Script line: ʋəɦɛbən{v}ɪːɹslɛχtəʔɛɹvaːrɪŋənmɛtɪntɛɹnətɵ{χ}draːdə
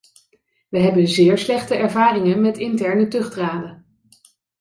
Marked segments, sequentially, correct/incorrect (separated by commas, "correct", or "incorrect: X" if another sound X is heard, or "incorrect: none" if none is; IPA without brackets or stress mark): incorrect: z, correct